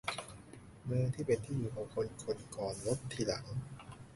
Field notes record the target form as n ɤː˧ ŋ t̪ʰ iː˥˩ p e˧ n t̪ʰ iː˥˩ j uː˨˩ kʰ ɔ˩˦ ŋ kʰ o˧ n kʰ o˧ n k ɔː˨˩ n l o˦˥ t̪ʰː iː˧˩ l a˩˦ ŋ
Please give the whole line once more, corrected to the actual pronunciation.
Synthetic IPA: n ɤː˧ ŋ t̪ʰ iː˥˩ p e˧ n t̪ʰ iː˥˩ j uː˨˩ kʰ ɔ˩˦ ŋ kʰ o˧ n kʰ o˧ n k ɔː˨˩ n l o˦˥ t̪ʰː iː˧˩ l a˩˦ ŋ